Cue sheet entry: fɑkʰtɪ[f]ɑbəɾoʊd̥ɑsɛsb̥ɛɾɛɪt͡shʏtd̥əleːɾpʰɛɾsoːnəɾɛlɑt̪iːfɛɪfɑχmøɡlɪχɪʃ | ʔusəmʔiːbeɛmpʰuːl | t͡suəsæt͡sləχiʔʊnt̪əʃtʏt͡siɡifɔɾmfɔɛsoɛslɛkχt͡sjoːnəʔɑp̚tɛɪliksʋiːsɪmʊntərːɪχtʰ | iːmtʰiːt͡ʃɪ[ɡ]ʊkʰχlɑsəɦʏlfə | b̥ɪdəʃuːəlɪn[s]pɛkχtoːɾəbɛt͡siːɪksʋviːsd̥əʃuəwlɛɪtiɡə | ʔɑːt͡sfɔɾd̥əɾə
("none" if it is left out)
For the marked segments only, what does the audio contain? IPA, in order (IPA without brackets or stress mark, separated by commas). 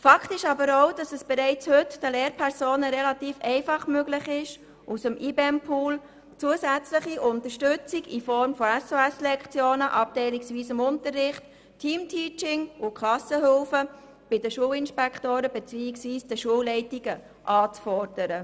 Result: ʃ, ŋ, ʃ